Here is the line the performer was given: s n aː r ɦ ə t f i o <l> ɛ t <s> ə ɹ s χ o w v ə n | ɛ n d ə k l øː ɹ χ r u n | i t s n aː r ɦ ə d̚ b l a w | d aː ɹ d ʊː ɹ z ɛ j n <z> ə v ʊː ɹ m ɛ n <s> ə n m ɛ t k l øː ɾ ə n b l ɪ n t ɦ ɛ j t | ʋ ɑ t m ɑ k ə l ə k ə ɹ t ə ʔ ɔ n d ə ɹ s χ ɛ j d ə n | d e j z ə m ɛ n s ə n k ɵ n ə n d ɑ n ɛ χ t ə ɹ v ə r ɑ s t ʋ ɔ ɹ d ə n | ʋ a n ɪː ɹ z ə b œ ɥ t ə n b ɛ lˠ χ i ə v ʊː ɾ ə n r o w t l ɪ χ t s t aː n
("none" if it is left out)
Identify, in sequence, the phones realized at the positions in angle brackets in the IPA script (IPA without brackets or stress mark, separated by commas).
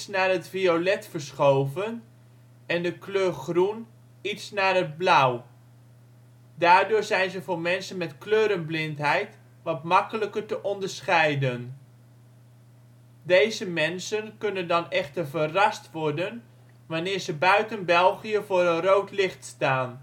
l, f, z, s